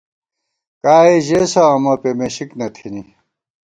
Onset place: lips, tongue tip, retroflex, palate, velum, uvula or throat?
velum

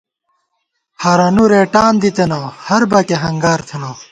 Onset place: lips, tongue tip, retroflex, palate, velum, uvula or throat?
throat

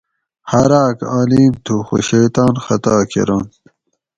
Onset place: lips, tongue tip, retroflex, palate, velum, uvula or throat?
throat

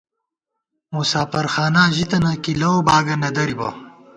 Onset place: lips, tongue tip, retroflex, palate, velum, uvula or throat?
lips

